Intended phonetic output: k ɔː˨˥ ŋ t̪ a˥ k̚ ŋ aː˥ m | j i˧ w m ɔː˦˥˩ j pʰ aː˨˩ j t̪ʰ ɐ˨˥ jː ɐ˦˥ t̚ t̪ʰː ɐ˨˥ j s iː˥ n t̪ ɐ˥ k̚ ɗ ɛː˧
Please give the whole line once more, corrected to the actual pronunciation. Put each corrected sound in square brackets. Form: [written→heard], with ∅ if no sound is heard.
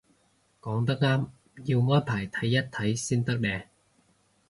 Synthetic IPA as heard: k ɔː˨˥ ŋ t̪ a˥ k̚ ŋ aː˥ m | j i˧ w [m→ŋ] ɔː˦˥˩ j pʰ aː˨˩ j t̪ʰ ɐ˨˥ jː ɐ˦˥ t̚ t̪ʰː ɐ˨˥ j s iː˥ n t̪ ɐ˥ k̚ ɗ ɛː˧